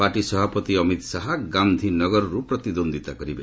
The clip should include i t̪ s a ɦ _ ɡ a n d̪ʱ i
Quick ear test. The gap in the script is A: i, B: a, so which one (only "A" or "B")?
B